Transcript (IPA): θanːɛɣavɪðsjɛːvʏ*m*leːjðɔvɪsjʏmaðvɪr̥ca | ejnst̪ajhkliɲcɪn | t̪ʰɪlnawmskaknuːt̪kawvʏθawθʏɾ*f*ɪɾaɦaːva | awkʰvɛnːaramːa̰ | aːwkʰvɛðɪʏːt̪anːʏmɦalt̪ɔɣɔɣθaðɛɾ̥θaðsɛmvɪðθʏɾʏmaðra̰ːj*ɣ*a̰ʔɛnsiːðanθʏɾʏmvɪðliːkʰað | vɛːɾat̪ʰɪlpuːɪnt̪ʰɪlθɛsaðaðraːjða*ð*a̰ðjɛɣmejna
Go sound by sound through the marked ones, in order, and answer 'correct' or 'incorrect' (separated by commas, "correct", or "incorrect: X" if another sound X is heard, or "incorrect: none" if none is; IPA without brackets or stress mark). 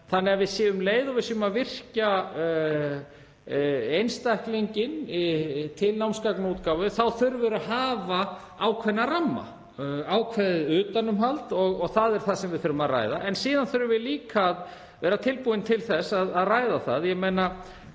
correct, incorrect: v, incorrect: ð, incorrect: θ